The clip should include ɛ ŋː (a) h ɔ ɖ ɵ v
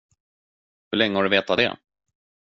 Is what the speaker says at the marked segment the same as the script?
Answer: no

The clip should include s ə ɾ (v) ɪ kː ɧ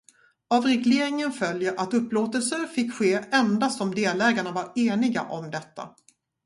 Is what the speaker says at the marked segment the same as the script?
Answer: no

